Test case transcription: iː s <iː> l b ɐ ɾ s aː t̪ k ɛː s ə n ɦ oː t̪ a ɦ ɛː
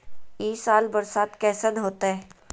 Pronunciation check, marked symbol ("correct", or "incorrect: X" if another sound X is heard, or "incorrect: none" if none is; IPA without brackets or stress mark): incorrect: aː